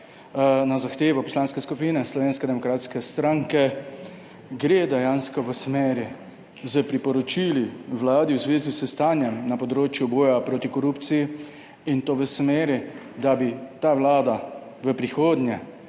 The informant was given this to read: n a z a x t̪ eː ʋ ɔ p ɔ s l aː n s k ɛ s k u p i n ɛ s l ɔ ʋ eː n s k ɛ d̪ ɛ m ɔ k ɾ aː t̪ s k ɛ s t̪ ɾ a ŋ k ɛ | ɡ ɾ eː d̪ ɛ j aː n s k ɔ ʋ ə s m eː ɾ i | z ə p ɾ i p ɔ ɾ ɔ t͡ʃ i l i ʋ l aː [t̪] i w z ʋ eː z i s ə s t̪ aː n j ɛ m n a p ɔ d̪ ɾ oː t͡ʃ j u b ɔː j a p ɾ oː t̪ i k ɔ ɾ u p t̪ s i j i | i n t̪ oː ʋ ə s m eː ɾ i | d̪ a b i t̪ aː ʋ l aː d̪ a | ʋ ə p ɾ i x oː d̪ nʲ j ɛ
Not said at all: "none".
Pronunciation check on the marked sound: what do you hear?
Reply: d̪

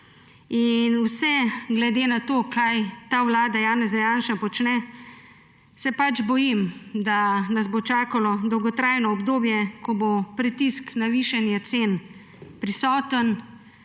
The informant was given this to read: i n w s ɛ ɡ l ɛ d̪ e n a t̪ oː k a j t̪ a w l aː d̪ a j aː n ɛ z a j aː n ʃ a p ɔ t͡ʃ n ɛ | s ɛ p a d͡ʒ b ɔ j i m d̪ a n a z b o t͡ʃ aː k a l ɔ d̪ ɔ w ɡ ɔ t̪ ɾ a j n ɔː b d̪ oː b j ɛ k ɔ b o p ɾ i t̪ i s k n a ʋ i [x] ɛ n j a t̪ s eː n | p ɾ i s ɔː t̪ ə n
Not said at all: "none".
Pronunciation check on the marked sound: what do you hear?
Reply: ʃ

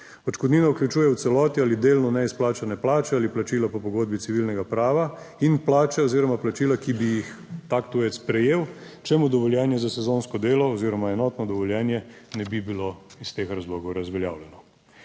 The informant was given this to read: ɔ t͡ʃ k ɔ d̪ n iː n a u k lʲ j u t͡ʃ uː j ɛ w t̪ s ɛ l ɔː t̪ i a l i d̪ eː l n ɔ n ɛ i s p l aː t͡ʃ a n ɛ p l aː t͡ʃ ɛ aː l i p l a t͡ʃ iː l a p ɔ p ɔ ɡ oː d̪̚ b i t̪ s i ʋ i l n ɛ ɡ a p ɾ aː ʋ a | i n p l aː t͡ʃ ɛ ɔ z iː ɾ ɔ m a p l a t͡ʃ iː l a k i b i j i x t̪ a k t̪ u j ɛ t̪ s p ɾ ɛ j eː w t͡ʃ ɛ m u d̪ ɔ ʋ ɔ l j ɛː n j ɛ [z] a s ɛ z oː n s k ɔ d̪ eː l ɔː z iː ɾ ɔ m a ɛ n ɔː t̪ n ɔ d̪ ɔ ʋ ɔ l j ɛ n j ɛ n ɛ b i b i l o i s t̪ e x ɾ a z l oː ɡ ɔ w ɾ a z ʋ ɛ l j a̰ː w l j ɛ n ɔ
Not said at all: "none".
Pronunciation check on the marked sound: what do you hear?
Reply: z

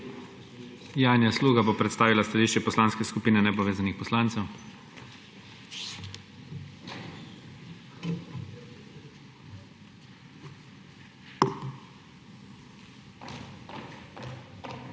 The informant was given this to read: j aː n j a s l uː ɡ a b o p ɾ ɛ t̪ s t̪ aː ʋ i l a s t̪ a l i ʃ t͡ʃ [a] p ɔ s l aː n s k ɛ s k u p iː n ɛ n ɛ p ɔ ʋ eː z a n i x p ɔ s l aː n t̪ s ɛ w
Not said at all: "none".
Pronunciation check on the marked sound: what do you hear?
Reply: ɛ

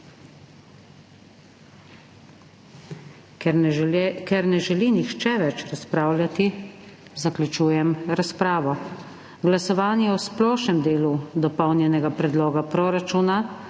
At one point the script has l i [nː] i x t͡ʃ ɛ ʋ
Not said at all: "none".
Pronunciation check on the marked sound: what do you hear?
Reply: n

